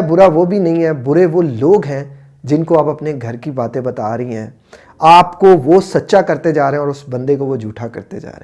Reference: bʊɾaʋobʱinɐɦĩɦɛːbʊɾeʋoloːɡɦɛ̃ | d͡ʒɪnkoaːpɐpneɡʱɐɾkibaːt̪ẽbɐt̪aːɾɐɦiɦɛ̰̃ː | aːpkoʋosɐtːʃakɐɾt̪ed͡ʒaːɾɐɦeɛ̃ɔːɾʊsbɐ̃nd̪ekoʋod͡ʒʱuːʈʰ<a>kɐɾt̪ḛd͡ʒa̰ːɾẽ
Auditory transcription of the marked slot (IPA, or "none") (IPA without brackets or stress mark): a